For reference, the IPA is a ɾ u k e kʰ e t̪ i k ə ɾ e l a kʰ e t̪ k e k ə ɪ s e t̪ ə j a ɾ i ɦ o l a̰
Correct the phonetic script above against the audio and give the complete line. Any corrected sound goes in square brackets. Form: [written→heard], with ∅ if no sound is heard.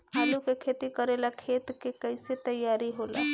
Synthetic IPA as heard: a [ɾ→l] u k e kʰ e t̪ i k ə ɾ e l a kʰ e t̪ k e k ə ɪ s e t̪ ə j a ɾ i ɦ o l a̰